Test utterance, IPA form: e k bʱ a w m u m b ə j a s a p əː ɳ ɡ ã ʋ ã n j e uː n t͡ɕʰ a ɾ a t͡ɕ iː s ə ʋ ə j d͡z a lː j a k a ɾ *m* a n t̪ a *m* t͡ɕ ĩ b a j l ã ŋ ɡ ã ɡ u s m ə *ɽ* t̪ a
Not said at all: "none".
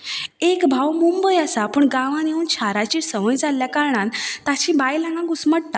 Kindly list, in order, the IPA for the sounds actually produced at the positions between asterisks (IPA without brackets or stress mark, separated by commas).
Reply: ɳ, none, ɽ